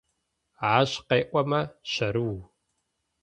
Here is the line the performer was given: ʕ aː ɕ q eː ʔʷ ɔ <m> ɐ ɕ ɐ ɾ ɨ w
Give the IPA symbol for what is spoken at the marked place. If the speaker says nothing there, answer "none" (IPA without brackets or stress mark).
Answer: m